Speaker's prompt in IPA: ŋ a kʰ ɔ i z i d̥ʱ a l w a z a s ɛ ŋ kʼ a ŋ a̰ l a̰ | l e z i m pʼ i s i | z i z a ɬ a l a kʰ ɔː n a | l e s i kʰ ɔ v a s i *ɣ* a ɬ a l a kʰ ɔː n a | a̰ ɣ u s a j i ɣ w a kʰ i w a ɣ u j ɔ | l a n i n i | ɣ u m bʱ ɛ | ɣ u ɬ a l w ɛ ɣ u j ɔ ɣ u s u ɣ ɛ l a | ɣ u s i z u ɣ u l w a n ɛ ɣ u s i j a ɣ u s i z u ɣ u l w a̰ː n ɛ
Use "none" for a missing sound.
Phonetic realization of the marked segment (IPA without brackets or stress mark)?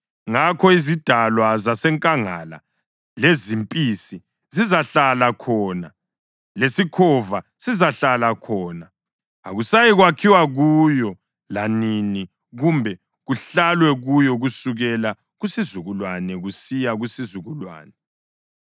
z